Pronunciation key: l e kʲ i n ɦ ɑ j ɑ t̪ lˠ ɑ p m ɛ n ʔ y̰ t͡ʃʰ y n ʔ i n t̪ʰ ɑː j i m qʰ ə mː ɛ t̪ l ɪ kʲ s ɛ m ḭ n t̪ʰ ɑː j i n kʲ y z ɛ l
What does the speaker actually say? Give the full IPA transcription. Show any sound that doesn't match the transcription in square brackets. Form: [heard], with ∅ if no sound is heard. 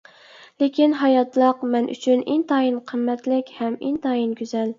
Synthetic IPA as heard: l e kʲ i n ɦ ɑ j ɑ t̪ lˠ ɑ [q] m ɛ n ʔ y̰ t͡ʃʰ y n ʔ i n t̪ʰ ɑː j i [n] qʰ ə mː ɛ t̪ l ɪ kʲ [h] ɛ m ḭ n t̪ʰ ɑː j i n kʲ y z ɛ l